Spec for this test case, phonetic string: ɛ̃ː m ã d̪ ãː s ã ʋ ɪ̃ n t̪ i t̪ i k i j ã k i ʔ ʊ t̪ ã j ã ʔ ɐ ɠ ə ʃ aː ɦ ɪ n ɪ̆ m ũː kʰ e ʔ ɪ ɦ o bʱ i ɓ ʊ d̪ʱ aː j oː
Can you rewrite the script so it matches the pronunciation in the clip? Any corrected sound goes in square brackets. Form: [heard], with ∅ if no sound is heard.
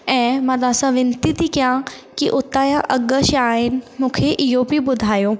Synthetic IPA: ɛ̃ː m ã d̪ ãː s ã ʋ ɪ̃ n t̪ i t̪ i k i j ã k i ʔ ʊ t̪ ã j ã ʔ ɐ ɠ ə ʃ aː ɦ ɪ n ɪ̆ m ũː kʰ e ʔ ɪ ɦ o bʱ i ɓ ʊ d̪ʱ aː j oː